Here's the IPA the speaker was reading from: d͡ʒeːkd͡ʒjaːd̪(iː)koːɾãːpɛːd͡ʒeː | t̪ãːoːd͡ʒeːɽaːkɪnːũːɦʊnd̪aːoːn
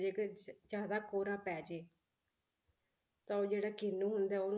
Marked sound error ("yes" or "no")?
yes